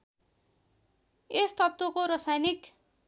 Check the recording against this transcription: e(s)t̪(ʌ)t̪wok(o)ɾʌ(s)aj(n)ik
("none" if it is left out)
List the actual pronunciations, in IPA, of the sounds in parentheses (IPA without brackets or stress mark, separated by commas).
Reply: s, ʌ, o, s, n